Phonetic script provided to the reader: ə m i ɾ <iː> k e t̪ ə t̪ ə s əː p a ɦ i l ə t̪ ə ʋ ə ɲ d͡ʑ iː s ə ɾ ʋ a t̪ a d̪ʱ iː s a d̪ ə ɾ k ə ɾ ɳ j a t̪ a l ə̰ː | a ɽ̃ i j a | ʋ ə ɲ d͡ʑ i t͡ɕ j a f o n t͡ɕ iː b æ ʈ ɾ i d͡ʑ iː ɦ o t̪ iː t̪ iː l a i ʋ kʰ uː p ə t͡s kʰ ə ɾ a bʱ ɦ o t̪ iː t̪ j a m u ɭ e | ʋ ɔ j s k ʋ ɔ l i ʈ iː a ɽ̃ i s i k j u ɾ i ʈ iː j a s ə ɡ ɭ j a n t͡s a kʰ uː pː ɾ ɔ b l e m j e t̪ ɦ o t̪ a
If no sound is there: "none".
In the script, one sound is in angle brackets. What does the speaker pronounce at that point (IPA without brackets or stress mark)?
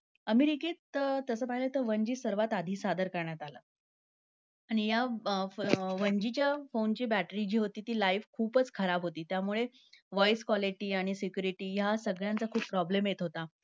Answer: i